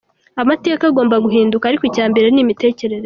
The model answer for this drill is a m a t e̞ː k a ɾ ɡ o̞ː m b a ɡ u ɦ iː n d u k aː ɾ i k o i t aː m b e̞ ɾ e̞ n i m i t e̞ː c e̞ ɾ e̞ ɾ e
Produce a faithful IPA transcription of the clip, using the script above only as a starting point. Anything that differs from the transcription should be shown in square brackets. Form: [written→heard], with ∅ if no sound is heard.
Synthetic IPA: a m a t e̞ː k a [ɾ→∅] ɡ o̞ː m b a ɡ u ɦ iː n d u k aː ɾ i k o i [t→c] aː m b e̞ ɾ e̞ n i m i t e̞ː c e̞ ɾ e̞ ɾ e